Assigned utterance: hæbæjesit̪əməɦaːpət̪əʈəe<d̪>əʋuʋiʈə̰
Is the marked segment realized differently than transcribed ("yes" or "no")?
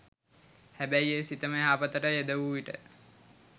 no